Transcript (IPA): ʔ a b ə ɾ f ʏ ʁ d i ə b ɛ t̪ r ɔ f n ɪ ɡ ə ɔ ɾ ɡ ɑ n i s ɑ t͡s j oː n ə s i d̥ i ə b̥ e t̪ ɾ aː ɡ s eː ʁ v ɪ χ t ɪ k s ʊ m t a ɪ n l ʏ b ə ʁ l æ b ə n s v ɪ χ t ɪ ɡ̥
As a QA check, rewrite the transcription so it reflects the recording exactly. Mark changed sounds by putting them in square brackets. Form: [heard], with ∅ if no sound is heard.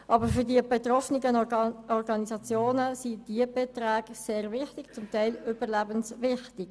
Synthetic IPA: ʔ [ɑ] b ə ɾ f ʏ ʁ d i ə b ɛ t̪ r ɔ f n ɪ ɡ ə ɔ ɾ ɡ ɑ n i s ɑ t͡s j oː n ə s i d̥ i ə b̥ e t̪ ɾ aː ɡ s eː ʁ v ɪ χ t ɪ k [t͡s] ʊ m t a ɪ [∅] l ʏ b ə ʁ l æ b ə n s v ɪ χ t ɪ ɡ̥

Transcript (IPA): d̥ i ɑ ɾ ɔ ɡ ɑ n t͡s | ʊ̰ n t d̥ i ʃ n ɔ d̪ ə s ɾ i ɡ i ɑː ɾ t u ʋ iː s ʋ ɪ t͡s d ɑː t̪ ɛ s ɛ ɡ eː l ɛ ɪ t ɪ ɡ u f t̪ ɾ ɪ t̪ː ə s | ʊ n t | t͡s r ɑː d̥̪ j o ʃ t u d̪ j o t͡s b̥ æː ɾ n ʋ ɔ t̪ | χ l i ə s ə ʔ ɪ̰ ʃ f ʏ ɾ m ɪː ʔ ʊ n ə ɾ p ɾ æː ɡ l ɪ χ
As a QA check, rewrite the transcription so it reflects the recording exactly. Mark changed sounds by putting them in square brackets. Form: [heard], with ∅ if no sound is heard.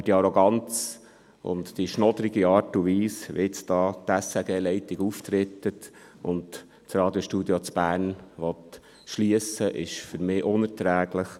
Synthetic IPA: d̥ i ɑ ɾ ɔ ɡ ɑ n t͡s | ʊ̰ n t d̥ i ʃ n ɔ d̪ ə [∅] ɾ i ɡ i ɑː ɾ t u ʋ iː s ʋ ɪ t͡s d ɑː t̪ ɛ s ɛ ɡ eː l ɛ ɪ t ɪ ɡ u f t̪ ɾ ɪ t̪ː ə [t] | ʊ n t | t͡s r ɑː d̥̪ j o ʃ t u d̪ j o t͡s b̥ æː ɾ n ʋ ɔ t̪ | [ʃ] l i ə s ə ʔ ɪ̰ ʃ f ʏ ɾ m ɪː ʔ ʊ n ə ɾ [t] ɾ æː ɡ l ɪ χ

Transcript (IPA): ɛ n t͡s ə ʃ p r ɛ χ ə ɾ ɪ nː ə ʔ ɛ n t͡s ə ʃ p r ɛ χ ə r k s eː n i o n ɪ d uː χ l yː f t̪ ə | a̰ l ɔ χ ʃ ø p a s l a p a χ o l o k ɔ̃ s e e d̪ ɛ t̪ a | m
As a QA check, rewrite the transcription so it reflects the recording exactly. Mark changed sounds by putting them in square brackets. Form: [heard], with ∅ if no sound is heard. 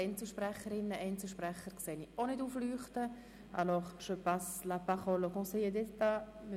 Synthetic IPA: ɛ n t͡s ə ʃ p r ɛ χ ə ɾ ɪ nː ə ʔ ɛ n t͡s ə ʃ p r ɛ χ ə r k s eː n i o n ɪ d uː [f] l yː [χ] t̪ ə | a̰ l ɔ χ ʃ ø p a s l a p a χ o l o k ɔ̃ s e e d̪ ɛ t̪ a | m

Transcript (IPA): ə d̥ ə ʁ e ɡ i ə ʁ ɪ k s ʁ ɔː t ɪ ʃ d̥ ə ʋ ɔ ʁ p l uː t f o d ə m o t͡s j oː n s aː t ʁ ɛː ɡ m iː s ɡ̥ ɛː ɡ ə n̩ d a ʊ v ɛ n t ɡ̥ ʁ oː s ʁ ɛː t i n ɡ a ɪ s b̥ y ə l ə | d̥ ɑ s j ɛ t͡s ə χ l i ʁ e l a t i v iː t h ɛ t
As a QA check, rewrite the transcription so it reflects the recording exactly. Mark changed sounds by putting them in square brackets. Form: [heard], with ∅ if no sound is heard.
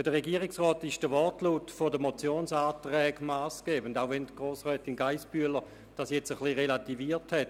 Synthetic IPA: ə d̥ ə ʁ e ɡ i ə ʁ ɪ k s ʁ ɔː t ɪ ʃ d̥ ə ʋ ɔ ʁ [t] l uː t f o d ə m o t͡s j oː n s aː t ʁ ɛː ɡ m [aː] s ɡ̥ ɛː [b] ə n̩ d a ʊ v ɛ n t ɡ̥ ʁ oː s ʁ ɛː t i n ɡ a ɪ s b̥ y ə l ə | d̥ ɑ s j ɛ t͡s ə χ l i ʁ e l a t i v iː t h ɛ t

